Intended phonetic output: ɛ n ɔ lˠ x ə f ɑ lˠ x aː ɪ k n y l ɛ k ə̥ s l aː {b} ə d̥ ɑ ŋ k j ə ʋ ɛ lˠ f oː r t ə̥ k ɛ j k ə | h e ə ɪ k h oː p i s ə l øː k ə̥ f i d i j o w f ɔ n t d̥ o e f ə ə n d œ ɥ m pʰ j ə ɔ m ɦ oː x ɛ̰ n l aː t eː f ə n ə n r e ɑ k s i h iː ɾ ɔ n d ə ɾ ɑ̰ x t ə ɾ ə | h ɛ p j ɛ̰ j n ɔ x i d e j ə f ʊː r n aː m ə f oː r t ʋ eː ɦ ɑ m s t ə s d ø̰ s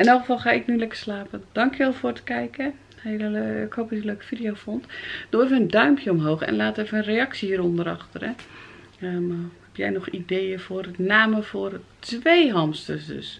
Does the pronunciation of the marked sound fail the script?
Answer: yes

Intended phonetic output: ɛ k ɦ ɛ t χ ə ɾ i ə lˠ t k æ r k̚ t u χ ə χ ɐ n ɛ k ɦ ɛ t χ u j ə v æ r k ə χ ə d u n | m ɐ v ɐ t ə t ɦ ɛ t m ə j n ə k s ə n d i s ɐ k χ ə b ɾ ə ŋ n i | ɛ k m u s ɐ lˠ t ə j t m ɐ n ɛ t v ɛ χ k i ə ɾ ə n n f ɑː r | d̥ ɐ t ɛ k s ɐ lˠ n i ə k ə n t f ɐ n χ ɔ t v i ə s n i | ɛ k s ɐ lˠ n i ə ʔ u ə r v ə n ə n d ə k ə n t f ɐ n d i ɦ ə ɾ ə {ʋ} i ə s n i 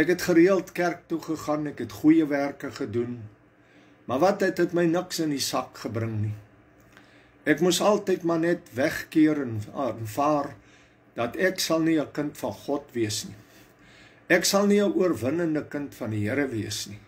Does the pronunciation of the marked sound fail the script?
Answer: yes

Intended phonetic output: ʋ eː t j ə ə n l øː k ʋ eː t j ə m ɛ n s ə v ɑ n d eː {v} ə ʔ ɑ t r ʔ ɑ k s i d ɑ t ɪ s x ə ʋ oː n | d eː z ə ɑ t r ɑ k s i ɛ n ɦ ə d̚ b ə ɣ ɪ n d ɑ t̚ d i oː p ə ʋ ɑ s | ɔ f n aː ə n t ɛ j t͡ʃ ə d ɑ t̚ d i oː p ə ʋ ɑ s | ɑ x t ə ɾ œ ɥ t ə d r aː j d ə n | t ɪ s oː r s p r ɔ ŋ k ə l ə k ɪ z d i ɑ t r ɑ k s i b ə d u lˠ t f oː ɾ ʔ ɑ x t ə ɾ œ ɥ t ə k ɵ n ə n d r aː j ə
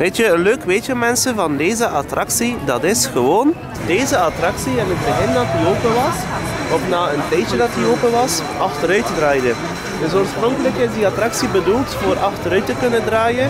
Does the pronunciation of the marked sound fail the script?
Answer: yes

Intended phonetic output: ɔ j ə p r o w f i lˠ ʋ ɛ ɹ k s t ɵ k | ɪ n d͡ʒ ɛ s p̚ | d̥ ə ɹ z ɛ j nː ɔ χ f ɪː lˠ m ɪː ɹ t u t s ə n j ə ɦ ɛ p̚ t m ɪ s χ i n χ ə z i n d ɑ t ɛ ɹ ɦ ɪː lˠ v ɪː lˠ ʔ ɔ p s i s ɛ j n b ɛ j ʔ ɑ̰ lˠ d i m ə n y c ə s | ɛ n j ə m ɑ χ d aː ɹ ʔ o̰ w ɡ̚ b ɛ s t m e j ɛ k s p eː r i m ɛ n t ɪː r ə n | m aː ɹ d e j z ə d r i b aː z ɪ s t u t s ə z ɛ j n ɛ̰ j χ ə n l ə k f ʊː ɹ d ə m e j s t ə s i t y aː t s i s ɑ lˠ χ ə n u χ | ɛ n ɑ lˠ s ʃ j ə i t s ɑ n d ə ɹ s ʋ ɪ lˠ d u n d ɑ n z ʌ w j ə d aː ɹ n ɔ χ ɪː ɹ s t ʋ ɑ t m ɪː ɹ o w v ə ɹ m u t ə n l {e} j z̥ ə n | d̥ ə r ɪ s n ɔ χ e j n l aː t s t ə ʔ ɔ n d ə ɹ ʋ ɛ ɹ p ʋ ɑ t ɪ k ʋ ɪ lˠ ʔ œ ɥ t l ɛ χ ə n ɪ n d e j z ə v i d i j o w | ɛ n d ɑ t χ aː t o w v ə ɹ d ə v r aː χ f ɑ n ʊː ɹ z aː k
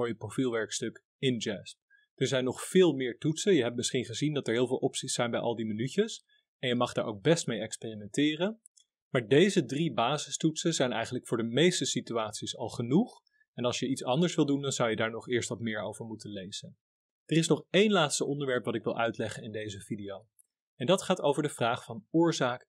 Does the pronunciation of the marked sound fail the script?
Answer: no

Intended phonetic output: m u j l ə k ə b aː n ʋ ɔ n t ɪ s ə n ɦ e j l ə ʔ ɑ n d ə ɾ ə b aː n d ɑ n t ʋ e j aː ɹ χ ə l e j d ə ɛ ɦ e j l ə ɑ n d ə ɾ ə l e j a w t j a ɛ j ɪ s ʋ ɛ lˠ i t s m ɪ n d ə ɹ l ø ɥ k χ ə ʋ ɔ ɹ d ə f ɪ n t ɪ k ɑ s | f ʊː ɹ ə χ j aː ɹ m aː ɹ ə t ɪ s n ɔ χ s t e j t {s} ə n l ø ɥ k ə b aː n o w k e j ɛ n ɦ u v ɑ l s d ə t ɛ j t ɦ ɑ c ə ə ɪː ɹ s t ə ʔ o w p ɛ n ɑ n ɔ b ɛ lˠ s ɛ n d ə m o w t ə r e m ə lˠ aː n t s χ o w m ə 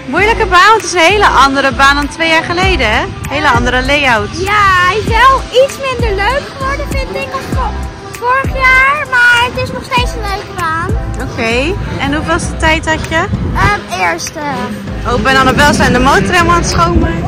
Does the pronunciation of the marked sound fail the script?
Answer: no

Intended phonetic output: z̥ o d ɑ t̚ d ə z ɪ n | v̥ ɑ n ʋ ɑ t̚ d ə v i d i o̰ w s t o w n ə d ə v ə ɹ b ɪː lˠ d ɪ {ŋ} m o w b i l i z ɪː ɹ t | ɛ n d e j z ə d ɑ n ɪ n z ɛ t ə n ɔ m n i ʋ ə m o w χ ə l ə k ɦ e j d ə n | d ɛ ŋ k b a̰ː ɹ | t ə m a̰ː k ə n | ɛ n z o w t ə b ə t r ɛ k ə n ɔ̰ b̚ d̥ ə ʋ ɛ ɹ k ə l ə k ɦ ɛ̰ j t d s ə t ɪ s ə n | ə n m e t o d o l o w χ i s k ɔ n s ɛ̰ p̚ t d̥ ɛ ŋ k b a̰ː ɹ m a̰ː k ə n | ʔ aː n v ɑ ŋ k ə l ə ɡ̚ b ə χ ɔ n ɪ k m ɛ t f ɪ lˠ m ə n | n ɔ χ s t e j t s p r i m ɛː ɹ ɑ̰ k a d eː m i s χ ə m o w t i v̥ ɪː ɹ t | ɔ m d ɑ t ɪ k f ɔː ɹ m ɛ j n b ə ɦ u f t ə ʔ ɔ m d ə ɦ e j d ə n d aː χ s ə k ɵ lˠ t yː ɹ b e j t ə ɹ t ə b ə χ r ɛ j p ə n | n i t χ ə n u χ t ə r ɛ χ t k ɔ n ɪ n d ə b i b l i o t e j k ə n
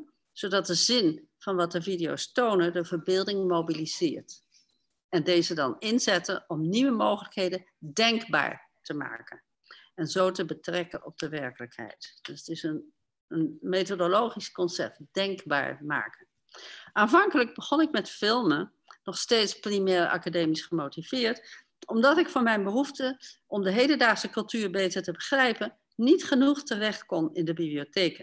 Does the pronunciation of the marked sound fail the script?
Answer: no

